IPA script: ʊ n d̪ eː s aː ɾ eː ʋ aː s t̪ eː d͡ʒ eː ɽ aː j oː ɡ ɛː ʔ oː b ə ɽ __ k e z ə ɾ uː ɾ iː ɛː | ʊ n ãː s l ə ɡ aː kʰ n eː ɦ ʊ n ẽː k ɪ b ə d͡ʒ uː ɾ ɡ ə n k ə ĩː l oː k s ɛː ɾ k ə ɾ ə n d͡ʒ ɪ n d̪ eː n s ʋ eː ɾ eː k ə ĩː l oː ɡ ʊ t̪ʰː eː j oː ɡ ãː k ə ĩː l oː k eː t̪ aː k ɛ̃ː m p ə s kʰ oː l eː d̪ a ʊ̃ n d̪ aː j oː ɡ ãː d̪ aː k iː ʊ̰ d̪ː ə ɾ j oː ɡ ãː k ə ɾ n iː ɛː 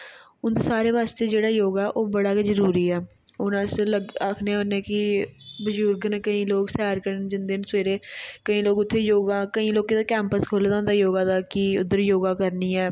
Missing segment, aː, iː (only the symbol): aː